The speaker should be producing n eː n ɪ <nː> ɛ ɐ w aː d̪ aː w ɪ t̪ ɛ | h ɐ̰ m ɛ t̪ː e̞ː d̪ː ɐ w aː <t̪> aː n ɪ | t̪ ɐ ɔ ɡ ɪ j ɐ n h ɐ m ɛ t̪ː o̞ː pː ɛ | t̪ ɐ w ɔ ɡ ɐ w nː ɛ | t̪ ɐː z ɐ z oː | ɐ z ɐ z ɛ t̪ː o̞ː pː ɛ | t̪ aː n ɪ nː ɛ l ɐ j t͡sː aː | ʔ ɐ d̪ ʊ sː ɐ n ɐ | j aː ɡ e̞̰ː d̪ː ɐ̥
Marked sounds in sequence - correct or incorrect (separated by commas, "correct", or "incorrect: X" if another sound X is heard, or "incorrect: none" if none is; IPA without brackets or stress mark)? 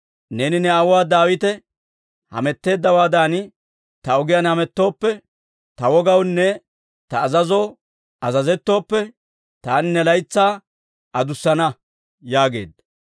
incorrect: n, incorrect: d̪